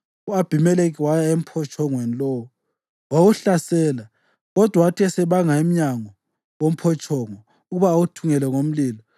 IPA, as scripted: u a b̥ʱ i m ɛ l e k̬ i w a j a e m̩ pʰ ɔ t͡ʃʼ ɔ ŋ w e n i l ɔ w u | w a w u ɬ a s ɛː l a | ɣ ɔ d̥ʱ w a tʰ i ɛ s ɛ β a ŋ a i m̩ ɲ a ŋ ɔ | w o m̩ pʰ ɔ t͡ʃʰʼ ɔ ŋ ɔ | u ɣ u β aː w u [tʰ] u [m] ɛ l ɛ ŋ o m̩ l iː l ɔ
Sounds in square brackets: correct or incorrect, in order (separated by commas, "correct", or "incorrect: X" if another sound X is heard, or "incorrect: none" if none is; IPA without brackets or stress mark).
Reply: correct, incorrect: ŋ